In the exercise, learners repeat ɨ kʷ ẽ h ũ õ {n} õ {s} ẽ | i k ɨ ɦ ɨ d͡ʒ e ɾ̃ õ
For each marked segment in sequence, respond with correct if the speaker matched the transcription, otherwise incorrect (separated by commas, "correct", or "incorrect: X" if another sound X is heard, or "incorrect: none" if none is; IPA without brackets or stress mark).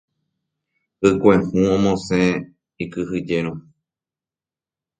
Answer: incorrect: m, correct